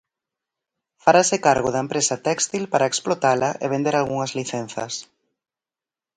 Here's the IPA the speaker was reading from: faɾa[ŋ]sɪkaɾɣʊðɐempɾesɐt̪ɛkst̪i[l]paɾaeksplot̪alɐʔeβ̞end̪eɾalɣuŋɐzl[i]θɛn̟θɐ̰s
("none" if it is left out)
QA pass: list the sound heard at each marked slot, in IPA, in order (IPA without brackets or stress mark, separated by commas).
none, l, i